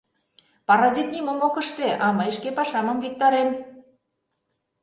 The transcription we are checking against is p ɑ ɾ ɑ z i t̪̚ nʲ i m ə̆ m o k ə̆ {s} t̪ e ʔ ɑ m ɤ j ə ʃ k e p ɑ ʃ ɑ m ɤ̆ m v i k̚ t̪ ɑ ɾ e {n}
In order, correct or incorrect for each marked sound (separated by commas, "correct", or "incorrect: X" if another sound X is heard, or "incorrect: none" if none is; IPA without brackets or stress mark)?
incorrect: ʃ, incorrect: m